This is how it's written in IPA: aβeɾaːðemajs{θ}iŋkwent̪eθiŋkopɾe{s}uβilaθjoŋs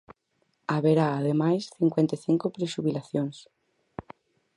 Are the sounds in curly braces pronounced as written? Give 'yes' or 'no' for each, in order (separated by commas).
yes, no